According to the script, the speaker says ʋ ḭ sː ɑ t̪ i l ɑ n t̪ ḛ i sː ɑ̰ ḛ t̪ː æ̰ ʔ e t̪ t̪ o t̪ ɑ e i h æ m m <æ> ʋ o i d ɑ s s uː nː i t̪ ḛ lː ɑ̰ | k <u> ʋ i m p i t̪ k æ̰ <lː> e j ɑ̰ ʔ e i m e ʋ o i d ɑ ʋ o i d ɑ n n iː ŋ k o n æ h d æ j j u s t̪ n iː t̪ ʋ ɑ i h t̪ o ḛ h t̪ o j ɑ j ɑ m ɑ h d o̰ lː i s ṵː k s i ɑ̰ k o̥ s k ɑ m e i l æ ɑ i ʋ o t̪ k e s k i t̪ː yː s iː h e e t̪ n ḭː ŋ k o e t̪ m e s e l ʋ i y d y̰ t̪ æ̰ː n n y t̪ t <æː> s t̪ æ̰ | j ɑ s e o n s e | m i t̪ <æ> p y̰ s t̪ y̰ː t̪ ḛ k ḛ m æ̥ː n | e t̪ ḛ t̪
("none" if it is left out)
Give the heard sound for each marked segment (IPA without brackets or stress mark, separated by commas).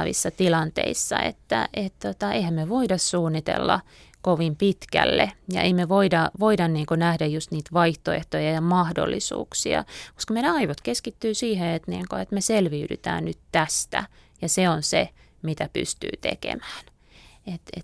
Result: e, o, lː, æ, æ